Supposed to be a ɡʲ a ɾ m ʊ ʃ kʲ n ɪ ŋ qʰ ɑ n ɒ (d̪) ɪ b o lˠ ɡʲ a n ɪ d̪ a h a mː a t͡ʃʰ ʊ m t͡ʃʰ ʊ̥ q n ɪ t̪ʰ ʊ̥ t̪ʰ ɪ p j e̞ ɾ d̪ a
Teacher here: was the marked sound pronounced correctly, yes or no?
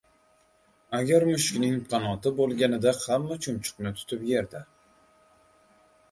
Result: no